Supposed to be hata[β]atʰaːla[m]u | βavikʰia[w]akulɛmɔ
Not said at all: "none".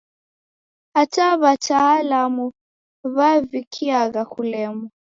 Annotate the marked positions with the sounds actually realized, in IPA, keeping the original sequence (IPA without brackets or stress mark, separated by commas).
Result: β, m, ɣ